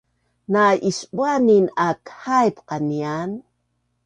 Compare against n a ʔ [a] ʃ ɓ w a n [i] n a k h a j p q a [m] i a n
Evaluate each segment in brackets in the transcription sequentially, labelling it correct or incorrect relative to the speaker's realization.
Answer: incorrect: i, correct, incorrect: n

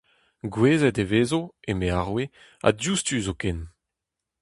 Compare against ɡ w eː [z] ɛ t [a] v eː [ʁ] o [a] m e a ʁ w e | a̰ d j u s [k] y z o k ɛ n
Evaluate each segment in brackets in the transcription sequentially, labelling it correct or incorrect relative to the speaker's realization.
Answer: correct, incorrect: e, incorrect: z, incorrect: e, incorrect: t

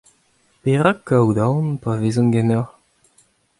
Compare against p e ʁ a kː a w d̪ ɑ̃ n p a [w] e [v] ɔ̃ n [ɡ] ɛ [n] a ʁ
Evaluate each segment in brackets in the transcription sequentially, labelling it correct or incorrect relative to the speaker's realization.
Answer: incorrect: v, incorrect: z, correct, correct

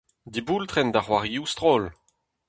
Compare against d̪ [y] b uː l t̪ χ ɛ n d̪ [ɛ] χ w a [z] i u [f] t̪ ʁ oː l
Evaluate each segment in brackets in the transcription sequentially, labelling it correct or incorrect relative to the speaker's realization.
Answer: incorrect: i, incorrect: a, incorrect: ʁ, incorrect: s

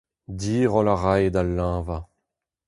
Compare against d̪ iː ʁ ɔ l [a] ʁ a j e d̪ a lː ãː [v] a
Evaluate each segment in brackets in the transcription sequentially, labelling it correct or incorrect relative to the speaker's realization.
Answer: correct, correct

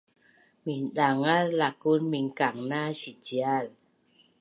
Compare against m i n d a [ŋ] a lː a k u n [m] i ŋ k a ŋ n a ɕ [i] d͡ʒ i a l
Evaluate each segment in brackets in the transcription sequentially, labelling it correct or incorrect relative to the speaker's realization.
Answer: correct, correct, correct

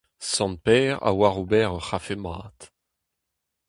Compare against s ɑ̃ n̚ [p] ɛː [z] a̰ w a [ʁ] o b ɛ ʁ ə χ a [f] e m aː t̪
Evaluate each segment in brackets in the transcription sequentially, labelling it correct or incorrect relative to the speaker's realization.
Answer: correct, incorrect: ʁ, correct, correct

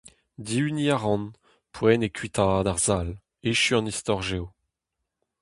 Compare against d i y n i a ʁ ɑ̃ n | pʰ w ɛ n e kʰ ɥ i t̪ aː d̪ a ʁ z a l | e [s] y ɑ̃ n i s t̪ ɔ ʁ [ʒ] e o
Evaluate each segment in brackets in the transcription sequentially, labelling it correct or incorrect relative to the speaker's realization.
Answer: incorrect: ʃ, correct

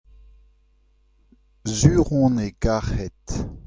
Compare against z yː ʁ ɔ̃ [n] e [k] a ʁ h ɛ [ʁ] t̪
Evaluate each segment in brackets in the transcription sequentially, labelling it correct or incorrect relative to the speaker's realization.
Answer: correct, incorrect: ɡ, incorrect: none

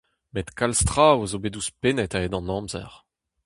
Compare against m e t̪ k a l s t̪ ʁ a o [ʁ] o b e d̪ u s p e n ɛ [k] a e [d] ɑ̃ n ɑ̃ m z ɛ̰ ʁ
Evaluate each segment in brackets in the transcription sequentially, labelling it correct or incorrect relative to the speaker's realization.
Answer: incorrect: z, incorrect: t, correct

